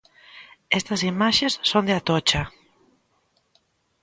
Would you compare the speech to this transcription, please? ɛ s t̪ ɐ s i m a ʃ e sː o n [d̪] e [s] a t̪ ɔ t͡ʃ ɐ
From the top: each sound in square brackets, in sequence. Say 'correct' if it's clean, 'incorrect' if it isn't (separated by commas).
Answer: correct, incorrect